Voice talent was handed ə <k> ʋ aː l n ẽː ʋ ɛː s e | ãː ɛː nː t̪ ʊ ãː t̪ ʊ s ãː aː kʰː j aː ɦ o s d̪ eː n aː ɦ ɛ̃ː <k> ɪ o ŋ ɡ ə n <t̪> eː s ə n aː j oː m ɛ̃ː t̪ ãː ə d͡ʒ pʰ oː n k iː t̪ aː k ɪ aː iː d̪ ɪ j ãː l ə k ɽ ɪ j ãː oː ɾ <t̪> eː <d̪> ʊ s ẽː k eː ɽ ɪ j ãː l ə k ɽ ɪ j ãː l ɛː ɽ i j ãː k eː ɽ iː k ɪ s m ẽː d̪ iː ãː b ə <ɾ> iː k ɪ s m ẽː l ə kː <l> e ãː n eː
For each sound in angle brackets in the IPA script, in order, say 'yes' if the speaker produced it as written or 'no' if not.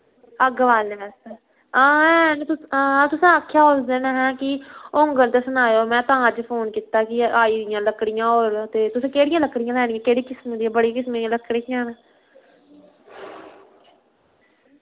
no, yes, yes, yes, no, no, no

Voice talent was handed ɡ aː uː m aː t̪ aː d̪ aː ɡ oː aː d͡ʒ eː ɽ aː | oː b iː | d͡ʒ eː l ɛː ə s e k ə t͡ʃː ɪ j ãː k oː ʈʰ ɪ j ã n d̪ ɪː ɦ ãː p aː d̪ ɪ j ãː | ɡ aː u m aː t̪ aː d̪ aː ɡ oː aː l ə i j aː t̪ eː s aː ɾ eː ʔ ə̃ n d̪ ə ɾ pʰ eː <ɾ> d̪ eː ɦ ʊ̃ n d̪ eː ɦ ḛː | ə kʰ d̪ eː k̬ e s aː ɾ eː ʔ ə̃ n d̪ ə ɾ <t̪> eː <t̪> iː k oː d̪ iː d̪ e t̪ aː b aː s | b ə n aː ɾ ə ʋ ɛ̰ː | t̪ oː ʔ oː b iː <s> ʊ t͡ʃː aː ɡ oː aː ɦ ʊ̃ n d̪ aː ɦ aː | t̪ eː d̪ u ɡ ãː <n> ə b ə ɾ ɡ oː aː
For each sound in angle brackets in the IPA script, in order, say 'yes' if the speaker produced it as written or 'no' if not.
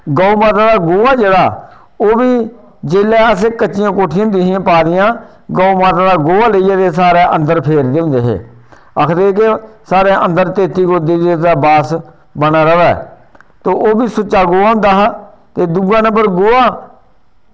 yes, yes, yes, yes, yes

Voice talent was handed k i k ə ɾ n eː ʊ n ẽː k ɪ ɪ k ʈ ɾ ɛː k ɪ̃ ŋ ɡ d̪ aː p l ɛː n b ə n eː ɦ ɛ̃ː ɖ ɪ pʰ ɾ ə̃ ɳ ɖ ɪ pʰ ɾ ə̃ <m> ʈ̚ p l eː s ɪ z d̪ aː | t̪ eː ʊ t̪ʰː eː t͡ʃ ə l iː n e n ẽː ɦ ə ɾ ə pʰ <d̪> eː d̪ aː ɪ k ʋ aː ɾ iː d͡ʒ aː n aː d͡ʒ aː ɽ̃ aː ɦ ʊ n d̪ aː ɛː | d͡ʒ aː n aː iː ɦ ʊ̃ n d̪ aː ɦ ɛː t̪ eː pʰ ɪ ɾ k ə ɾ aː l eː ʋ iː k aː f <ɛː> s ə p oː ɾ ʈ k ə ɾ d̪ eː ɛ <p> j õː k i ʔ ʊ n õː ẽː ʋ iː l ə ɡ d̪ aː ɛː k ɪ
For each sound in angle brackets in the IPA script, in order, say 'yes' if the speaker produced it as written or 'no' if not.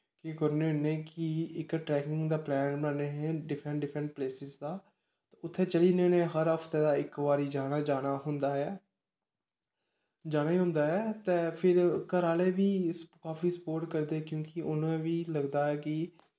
no, no, no, no

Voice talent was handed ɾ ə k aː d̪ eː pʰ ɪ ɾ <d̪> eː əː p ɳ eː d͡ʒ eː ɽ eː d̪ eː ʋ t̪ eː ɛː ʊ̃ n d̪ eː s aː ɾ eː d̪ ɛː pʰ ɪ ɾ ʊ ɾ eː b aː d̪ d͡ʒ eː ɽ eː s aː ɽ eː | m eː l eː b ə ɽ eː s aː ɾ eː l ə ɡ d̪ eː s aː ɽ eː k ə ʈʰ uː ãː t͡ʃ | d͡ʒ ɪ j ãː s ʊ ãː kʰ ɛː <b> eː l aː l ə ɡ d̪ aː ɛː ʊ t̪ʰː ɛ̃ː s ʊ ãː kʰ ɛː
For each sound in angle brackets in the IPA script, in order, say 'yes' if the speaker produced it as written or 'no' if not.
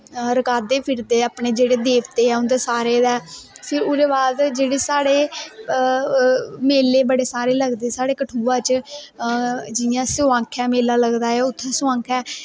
yes, no

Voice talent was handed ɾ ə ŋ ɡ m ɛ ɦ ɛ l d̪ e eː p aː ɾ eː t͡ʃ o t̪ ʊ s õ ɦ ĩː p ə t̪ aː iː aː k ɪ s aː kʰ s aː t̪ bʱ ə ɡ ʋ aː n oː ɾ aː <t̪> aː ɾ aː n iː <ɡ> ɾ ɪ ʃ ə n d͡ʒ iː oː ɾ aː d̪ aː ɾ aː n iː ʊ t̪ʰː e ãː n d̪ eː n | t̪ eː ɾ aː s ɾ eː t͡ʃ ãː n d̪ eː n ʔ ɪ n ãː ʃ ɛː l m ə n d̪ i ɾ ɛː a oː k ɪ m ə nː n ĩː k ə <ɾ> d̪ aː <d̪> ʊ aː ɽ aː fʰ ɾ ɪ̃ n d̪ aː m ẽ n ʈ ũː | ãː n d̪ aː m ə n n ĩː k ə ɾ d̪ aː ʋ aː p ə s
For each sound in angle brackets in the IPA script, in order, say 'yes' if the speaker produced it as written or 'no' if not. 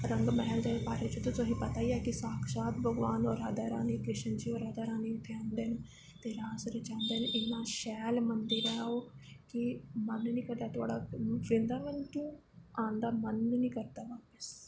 no, no, yes, no

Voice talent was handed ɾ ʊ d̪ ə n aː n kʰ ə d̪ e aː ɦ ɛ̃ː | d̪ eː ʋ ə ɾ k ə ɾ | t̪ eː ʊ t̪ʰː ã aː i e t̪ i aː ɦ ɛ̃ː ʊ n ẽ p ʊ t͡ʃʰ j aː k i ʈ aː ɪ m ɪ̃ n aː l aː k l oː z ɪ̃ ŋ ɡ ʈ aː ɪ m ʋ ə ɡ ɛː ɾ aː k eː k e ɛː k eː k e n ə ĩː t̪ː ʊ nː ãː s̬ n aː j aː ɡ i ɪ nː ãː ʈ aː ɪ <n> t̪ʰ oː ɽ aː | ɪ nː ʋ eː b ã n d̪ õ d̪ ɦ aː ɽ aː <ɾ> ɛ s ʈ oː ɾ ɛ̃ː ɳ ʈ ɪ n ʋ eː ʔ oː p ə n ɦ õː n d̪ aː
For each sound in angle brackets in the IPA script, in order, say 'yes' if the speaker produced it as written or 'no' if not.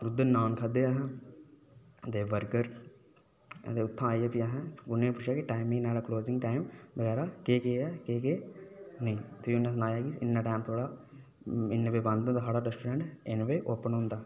no, yes

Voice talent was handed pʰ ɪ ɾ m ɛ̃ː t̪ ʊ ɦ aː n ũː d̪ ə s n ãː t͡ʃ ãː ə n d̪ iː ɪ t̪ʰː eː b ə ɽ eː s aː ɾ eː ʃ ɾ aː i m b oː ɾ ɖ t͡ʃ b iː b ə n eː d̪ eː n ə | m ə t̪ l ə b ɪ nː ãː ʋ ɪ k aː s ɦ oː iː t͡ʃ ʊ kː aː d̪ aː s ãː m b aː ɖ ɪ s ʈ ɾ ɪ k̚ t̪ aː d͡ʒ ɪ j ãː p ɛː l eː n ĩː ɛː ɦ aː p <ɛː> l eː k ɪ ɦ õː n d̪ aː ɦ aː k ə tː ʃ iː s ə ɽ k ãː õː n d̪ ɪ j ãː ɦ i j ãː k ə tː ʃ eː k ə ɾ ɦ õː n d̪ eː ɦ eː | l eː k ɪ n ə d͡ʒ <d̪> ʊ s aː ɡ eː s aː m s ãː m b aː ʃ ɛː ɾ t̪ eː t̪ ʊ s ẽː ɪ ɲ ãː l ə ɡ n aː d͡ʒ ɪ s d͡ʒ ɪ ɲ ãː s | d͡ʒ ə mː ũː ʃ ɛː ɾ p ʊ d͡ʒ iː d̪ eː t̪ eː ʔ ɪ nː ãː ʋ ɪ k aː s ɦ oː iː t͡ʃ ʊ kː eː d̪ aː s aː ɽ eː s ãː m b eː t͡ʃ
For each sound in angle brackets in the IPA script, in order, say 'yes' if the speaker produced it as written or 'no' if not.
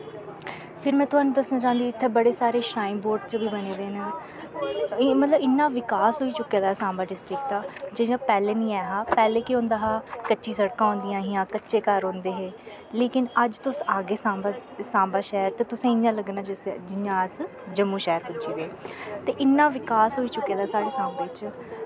yes, no

